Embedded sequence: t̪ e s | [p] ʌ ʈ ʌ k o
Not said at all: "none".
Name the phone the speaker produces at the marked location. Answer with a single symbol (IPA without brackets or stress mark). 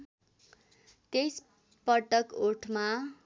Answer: p